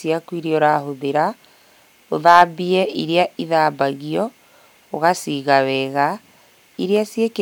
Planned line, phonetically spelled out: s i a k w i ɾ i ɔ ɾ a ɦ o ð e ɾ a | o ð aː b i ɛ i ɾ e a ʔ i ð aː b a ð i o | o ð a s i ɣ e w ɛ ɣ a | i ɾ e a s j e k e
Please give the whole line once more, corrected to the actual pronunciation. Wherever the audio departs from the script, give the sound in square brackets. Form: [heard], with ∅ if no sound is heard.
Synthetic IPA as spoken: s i a k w i ɾ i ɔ ɾ a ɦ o ð e ɾ a | o ð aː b i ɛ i ɾ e a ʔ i ð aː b a [ɣ] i [ɔ] | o [ɣ] a s i ɣ [a] w ɛ ɣ a | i ɾ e a s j e k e

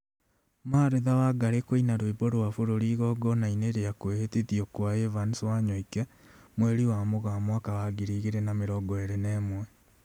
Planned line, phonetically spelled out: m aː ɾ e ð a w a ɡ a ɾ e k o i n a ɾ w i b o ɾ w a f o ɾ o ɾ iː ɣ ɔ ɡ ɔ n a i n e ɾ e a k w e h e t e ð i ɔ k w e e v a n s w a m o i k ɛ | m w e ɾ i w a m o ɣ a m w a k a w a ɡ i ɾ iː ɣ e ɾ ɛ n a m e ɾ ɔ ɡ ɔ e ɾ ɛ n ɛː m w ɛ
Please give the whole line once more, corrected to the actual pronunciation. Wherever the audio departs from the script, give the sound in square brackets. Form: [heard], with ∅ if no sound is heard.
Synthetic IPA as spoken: m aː ɾ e ð a w a ɡ a ɾ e k o i n a ɾ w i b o ɾ w a f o ɾ o ɾ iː ɣ ɔ ɡ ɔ n a i n e ɾ e a k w e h e t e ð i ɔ k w [a] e v a n s w a [ɲ] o i k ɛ | m w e ɾ i w a m o ɣ a m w a k a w a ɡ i ɾ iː ɣ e ɾ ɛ n a m e ɾ ɔ ɡ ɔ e ɾ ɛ n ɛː m w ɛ

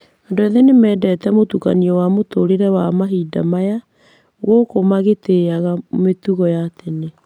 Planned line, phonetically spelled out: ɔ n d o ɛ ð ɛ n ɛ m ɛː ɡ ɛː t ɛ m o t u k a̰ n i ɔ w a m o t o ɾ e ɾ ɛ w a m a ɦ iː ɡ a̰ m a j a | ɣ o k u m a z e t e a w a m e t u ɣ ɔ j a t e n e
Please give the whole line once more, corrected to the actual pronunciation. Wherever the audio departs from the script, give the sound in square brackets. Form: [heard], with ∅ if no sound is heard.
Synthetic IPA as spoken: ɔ n d o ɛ ð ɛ n [e] m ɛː [d] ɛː t ɛ m o t u k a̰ n i ɔ w a m o t o ɾ e ɾ ɛ w a m a ɦ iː [d] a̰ m a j a | ɣ o k [o] m a [ɣ] e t e a [ɣ] a m e t u ɣ ɔ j a t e n e

